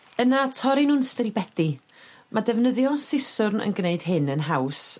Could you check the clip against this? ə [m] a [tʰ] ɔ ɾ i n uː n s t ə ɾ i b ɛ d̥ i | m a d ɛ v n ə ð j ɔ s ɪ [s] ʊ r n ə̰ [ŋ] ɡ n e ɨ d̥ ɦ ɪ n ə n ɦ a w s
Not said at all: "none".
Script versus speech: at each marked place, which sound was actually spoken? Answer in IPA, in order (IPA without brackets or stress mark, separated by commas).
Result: n, tʰ, s, n